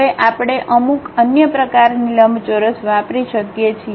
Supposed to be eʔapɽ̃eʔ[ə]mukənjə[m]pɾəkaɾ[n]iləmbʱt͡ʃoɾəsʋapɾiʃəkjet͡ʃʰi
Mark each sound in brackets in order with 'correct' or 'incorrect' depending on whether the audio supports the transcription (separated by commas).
correct, incorrect, correct